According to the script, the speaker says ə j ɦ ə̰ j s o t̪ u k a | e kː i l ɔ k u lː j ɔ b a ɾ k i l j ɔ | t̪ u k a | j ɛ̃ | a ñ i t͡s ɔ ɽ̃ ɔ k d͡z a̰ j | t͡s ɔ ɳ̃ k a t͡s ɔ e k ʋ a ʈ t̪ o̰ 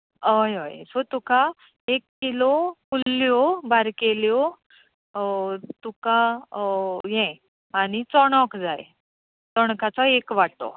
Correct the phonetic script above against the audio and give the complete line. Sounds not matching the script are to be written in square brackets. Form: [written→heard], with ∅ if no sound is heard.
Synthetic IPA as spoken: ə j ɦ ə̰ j s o t̪ u k a | e kː i l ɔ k u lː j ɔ b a ɾ k [i→e] l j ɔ | t̪ u k a | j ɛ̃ | a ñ i t͡s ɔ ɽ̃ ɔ k d͡z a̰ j | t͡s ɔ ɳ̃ k a t͡s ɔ e k ʋ a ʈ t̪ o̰